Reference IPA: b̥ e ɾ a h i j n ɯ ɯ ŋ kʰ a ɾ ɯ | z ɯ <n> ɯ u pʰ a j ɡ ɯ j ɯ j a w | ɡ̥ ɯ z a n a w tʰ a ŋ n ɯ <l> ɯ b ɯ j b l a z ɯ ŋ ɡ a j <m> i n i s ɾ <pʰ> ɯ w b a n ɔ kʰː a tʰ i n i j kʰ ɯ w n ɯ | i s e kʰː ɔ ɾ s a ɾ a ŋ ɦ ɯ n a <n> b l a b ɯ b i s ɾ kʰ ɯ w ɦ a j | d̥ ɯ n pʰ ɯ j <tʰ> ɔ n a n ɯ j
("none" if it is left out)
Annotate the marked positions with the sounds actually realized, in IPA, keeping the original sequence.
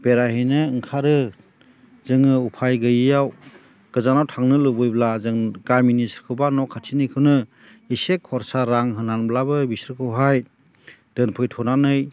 ŋ, l, m, kʰ, n, tʰ

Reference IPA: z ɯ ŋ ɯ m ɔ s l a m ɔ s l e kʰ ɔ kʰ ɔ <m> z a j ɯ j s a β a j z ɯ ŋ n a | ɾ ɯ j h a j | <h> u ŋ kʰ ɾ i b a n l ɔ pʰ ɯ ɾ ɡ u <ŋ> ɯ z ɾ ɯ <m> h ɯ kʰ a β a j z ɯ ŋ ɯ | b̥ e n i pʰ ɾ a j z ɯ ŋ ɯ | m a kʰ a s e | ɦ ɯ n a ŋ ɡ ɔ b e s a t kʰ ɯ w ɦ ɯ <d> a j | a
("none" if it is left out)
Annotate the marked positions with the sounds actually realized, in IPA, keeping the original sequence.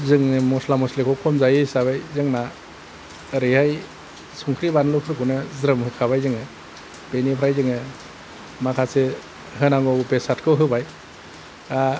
m, s, n, m, b

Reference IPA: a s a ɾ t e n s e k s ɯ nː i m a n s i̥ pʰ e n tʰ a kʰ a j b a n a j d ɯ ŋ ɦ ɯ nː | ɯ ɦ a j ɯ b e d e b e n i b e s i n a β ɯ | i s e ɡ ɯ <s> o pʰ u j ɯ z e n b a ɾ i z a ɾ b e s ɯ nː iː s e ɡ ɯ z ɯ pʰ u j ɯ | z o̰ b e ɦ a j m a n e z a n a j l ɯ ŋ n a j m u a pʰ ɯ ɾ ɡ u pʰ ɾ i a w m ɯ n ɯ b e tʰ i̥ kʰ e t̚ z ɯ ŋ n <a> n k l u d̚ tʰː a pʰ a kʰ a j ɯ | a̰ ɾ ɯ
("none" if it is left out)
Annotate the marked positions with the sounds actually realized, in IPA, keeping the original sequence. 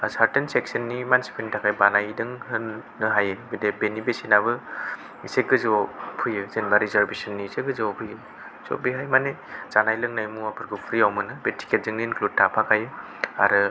z, i

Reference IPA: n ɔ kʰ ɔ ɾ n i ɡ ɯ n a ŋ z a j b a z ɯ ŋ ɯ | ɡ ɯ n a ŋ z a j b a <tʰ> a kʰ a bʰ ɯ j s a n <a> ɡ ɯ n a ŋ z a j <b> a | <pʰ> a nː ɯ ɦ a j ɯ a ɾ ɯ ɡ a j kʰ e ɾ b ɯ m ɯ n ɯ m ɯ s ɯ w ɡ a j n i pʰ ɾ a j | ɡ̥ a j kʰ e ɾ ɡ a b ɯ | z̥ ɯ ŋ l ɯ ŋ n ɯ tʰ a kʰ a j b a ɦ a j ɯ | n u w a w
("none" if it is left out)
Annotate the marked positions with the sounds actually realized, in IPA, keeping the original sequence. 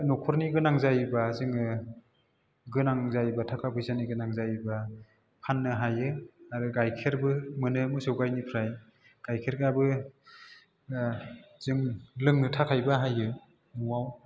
tʰ, i, b, pʰ

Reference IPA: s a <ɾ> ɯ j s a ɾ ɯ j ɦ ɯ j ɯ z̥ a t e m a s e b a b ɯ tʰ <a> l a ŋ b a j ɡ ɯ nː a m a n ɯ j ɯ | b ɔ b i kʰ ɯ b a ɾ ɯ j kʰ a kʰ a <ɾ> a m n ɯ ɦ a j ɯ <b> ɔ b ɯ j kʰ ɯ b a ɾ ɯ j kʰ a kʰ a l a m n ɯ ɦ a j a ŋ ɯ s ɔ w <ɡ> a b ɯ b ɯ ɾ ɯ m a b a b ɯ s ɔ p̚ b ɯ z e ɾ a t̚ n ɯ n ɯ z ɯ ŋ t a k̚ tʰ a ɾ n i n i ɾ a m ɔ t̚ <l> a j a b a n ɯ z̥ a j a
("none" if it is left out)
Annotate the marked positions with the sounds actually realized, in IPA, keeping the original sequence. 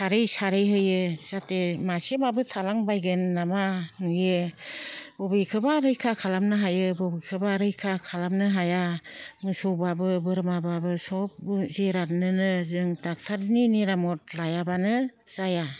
ɾ, a, l, b, b, l

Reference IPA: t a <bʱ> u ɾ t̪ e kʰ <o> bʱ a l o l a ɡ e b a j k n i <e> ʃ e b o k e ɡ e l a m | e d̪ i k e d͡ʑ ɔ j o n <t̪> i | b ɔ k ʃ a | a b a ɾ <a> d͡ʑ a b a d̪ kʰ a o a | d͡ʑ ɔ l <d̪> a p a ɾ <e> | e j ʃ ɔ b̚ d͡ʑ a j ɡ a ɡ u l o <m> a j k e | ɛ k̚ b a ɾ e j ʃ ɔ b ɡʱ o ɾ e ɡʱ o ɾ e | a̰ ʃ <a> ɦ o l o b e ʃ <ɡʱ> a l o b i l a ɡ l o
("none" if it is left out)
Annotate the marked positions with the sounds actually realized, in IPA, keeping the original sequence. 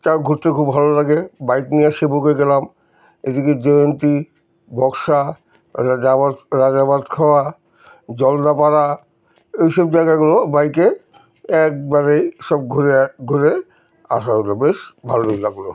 ɡʱ, u, a, t̪, a, d̪, a, b, a, bʱ

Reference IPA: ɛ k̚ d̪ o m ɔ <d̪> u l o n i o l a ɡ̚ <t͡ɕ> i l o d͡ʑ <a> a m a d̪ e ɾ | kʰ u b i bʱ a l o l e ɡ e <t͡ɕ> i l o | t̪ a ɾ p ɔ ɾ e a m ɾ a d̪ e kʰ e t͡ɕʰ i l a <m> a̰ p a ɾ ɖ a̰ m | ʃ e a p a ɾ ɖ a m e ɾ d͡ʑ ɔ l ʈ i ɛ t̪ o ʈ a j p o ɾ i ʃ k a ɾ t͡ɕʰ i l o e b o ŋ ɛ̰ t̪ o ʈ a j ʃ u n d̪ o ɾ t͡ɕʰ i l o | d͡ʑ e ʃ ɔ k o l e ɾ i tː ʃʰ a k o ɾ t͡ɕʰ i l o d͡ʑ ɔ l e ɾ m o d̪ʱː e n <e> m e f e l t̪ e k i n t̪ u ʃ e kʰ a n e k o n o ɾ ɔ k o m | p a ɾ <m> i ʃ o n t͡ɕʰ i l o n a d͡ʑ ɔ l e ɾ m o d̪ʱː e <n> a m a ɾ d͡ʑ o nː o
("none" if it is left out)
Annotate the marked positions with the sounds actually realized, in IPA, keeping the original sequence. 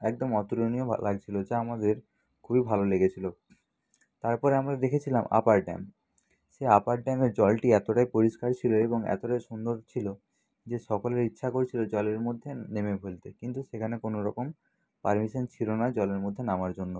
t̪, t͡ɕʰ, a, t͡ɕʰ, m, e, m, n

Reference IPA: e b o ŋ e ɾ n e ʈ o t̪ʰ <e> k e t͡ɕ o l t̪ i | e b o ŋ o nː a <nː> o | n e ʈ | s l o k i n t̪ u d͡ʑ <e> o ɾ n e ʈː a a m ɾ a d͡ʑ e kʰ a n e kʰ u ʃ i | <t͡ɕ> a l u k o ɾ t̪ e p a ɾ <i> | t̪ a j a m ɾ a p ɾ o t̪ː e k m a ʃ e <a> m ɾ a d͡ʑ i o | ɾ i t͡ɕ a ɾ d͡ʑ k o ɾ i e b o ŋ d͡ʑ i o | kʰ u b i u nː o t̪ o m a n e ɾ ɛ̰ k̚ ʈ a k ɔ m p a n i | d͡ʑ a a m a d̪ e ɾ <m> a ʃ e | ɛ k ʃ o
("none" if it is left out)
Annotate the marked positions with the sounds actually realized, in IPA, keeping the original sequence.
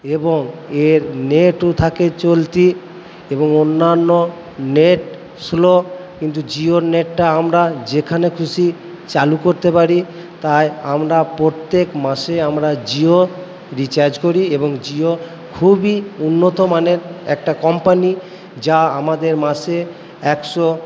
a, nː, i, t͡ɕ, i, a, m

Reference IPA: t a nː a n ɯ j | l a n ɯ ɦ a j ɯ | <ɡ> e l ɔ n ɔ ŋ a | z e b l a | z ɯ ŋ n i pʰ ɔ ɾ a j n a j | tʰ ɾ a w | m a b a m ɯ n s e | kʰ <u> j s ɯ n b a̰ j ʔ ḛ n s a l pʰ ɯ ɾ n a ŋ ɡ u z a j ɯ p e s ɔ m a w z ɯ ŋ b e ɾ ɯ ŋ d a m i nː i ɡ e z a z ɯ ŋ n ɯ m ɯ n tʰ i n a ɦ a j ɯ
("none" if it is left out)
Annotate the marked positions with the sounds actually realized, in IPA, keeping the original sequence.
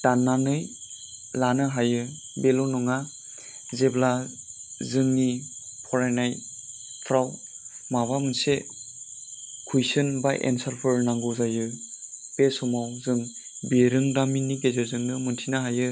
b, u

